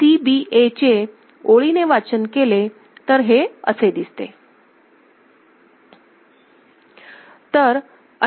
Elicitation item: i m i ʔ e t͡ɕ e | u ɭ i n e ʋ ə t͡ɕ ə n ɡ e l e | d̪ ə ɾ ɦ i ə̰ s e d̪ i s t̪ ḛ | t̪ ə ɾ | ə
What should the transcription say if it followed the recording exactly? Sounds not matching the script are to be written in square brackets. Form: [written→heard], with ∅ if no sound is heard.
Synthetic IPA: i [m→b] i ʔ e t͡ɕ e | [u→o] ɭ i n e ʋ [ə→a] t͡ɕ ə n [ɡ→k] e l e | [d̪→t̪] ə ɾ ɦ [i→e] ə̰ s e d̪ i s t̪ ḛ | t̪ ə ɾ | ə

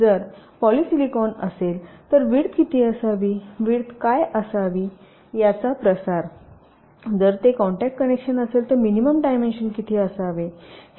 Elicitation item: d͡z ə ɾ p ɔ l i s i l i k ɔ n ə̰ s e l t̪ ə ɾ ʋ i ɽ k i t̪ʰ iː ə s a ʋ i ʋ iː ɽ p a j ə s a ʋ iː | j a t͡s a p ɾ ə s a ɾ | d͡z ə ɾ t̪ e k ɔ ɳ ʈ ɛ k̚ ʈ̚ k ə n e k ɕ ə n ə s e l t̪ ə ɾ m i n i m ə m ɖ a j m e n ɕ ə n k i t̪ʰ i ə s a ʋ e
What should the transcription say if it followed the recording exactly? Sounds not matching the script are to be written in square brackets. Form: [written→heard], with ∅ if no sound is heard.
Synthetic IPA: d͡z ə ɾ p ɔ l i s i l i k ɔ n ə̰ s e l t̪ ə ɾ ʋ i ɽ k i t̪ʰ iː ə s a ʋ i ʋ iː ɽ [p→k] a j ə s a ʋ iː | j a t͡s a p ɾ ə s a ɾ | d͡z ə ɾ t̪ e k ɔ ɳ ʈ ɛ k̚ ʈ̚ k ə n e k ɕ ə n ə s e l t̪ ə ɾ m i n i m ə m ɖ a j m e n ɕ ə n k i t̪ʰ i ə s a ʋ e

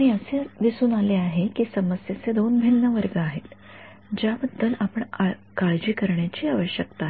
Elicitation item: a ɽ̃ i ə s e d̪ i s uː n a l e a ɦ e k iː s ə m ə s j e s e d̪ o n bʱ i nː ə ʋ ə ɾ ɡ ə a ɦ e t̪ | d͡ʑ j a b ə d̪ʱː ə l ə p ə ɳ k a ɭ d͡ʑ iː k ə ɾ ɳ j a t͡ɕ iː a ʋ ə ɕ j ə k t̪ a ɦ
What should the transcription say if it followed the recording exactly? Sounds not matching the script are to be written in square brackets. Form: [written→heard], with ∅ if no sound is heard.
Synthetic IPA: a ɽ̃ i ə s e d̪ i s uː n a l e a ɦ e k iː s ə m ə s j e [s→t͡s] e d̪ o n bʱ i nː ə ʋ ə ɾ ɡ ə a ɦ e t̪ | d͡ʑ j a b ə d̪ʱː ə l [ə→a] p ə ɳ k a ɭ d͡ʑ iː k ə ɾ ɳ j a t͡ɕ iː a ʋ ə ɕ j ə k t̪ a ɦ

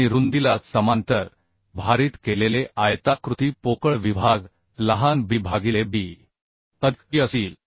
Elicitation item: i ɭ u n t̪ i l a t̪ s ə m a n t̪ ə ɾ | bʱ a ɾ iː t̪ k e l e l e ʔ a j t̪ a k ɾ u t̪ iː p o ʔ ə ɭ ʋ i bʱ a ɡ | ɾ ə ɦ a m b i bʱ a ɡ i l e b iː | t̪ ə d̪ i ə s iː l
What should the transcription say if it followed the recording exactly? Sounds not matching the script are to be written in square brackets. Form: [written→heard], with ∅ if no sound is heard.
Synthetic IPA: i [ɭ→ɾ] u n [t̪→d̪] i l a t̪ s ə m a n t̪ ə ɾ | bʱ a ɾ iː t̪ k e l e l e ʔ a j t̪ a k ɾ u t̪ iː p o [ʔ→k] ə ɭ ʋ i bʱ a ɡ | [ɾ→l] ə ɦ a [m→n] b i bʱ a ɡ i l e b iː | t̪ ə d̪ i ə s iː l

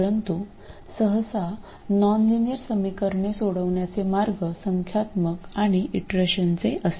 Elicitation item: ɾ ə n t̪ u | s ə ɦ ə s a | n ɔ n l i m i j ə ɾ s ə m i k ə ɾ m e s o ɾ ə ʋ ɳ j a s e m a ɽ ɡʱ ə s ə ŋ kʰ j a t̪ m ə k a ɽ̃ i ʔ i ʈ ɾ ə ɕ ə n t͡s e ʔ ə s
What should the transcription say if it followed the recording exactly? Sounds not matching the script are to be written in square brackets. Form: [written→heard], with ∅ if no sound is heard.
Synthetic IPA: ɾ ə n t̪ u | s ə ɦ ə s a | n ɔ n l i [m→n] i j ə ɾ s ə m i k ə ɾ [m→ɳ] e s o [ɾ→ɽ] ə ʋ ɳ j a [s→t͡s] e m a [ɽ→ɾ] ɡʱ ə s ə ŋ kʰ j a t̪ m ə k a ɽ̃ i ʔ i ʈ ɾ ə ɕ ə n t͡s e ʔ ə s

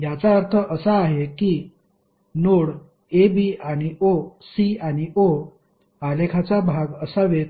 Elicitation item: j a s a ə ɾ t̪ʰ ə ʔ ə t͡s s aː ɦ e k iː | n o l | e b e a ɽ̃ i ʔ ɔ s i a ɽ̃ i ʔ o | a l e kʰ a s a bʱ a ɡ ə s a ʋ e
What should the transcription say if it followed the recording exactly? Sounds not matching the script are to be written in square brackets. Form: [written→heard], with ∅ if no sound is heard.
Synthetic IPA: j a [s→t͡s] a ə ɾ t̪ʰ ə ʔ ə [t͡s→∅] s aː ɦ e k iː | n o [l→ɽ] | e b [e→i] a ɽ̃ i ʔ [ɔ→o] s i a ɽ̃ i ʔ o | a l e kʰ a [s→t͡s] a bʱ a ɡ ə s a ʋ e

